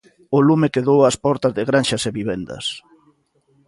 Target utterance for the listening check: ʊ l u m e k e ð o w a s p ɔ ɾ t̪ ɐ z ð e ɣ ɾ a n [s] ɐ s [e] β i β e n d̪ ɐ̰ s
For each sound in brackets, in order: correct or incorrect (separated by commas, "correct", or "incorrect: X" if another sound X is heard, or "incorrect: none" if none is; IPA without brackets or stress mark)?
incorrect: ʃ, correct